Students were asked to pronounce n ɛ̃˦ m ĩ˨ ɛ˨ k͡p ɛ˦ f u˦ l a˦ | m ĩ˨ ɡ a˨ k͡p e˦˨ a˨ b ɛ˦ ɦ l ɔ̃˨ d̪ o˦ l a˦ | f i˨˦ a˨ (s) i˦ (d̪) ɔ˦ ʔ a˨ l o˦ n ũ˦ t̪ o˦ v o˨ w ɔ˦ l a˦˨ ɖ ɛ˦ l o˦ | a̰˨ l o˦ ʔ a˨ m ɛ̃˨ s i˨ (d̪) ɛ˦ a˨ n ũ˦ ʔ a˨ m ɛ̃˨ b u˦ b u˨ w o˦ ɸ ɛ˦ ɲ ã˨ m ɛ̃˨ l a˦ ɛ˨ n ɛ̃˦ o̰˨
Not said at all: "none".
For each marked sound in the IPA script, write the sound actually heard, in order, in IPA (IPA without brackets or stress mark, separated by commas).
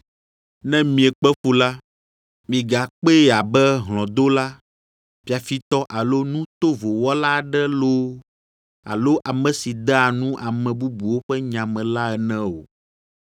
f, t̪, d̪